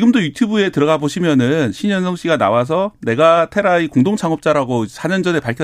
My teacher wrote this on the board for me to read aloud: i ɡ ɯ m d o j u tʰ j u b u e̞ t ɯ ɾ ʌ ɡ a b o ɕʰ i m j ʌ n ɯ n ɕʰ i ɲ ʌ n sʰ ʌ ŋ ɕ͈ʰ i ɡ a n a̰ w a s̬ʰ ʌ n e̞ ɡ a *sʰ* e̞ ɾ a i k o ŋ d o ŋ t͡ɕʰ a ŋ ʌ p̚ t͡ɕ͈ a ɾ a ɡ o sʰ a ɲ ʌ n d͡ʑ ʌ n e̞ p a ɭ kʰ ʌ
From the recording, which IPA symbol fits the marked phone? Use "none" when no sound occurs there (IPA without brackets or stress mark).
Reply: tʰ